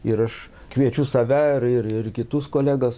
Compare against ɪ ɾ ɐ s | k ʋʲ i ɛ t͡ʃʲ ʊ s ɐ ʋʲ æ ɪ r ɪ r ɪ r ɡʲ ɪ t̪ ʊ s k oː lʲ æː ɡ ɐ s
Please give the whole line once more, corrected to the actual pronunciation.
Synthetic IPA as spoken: ɪ ɾ ɐ ʃ | k ʋʲ i ɛ t͡ʃʲ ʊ s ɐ ʋʲ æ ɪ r ɪ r ɪ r kʲ ɪ t̪ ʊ s k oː lʲ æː ɡ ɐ s